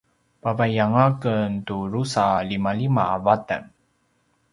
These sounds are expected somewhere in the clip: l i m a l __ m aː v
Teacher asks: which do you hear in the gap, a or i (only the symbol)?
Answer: i